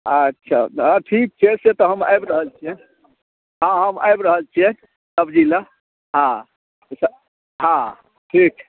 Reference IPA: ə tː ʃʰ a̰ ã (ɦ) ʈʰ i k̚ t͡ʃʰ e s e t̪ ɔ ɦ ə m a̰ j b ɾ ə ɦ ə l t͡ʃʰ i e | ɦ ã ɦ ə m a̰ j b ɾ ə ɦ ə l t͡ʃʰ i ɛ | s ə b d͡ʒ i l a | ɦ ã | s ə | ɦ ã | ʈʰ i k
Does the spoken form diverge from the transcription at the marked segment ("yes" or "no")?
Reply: yes